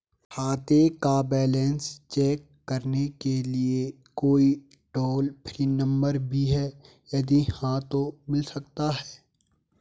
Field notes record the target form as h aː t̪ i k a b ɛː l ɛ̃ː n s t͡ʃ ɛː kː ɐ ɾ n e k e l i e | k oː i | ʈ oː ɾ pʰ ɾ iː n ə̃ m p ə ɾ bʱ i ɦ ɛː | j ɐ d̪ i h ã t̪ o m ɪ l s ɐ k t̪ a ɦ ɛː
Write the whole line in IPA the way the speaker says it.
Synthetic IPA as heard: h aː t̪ e k a b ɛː l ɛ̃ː n s t͡ʃ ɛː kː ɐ ɾ n e k e l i e | k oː i | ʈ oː l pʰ ɾ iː n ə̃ m b ə ɾ bʱ i ɦ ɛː | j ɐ d̪ i h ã t̪ o m ɪ l s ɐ k t̪ a ɦ ɛː